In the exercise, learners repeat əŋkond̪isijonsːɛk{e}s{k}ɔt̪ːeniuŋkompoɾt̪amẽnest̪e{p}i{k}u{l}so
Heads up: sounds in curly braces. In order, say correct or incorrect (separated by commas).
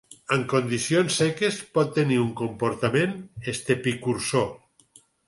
correct, incorrect, correct, correct, incorrect